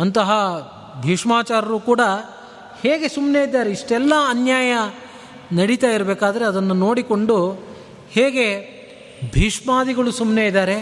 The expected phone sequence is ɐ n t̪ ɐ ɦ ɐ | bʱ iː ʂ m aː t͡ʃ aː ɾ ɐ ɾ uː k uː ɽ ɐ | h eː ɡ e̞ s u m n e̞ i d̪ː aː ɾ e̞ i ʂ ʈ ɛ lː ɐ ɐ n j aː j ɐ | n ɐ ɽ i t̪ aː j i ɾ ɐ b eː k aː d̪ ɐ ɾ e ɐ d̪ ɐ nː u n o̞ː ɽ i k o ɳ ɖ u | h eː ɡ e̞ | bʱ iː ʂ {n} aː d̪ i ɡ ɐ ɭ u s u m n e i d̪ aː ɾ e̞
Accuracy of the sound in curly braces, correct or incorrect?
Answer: incorrect